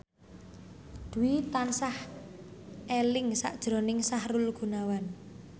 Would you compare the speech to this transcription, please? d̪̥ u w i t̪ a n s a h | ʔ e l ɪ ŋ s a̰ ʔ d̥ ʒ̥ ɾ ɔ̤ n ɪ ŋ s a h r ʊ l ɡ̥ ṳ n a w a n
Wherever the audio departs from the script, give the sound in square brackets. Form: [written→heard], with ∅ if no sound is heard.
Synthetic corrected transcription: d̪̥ u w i t̪ a n s a h | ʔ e l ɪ ŋ s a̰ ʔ d̥ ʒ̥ ɾ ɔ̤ n ɪ ŋ s a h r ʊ l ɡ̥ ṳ n a w a n